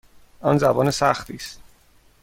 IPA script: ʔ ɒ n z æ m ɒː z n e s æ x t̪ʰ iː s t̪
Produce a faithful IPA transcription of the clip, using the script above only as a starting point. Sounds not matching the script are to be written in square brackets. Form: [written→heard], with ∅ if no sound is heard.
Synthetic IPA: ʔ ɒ n z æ [m→b] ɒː [z→∅] n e s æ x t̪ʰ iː s t̪